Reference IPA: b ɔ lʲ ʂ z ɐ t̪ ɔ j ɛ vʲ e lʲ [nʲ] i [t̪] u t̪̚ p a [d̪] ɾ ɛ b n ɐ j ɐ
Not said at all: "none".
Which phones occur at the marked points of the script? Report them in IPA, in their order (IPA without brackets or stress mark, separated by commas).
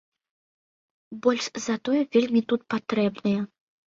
mʲ, t̪, t̪